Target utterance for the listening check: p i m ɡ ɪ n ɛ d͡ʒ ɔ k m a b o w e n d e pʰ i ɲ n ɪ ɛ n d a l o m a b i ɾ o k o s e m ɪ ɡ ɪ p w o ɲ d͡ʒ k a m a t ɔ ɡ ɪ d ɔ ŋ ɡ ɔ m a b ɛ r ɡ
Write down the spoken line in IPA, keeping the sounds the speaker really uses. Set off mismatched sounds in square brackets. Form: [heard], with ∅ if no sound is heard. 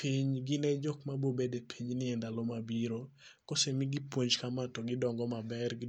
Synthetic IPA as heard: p i [ɲ] ɡ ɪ n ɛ d͡ʒ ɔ k m a b o [b] e [∅] d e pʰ i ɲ n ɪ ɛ n d a l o m a b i ɾ o k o s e m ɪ ɡ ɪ p w o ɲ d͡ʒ k a m a t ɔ ɡ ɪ d ɔ ŋ ɡ ɔ m a b ɛ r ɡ